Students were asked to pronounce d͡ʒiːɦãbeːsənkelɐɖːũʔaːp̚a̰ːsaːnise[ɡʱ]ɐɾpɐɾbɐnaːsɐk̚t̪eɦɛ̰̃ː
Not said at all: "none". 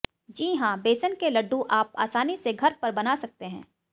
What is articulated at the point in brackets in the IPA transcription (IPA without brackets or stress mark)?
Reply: ɡʱ